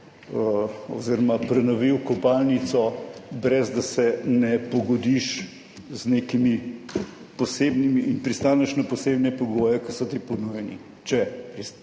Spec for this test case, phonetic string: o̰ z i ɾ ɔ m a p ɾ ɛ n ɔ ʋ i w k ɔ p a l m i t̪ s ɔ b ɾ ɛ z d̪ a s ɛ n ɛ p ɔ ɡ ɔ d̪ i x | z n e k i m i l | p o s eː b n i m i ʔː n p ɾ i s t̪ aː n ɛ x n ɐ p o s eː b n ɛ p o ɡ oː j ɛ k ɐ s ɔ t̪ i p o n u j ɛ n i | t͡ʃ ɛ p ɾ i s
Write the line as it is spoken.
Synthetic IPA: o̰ z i ɾ ɔ m a p ɾ ɛ n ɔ ʋ i w k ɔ p a l n i t̪ s ɔ b ɾ ɛ z d̪ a s ɛ n ɛ p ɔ ɡ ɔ d̪ i ʃ | z n e k i m i | p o s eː b n i m i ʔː n p ɾ i s t̪ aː n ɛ ʃ n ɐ p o s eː b n ɛ p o ɡ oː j ɛ k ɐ s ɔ t̪ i p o n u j ɛ n i | t͡ʃ ɛ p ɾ i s